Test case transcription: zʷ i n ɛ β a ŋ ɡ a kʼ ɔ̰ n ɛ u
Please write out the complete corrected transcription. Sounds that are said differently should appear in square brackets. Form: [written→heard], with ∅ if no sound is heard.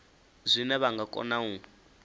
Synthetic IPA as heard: zʷ i n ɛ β a ŋ ɡ a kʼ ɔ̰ n [ɛ→a] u